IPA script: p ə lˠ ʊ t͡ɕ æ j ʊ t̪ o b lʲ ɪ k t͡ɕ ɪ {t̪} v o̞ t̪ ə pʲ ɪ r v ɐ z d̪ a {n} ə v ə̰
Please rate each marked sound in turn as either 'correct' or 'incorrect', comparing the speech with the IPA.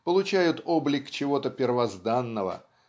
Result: incorrect: none, incorrect: nː

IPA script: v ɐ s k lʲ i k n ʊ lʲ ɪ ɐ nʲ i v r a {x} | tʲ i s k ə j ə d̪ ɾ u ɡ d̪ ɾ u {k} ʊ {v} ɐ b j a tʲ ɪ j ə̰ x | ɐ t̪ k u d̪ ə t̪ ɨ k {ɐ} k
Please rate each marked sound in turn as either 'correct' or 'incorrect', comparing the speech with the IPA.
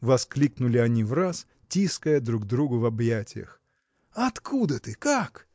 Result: incorrect: s, incorrect: ɡ, correct, incorrect: a

